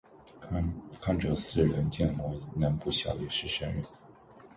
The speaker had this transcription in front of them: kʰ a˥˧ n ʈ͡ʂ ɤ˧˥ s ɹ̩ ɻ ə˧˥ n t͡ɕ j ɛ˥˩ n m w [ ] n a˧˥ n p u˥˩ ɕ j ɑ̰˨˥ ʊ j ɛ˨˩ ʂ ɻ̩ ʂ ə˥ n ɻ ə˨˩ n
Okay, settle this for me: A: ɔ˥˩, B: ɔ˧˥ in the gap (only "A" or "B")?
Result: B